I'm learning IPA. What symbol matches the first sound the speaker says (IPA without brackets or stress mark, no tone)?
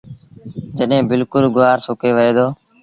d͡ʒ